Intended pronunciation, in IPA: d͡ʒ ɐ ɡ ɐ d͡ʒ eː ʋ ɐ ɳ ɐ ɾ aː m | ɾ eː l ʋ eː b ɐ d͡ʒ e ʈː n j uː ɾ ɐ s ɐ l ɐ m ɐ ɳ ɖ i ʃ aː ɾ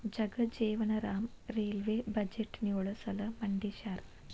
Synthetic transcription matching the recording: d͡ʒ ɐ ɡ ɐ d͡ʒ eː ʋ ɐ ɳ ɐ ɾ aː m | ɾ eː l ʋ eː b ɐ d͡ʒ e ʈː n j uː ɭ ɐ s ɐ l ɐ m ɐ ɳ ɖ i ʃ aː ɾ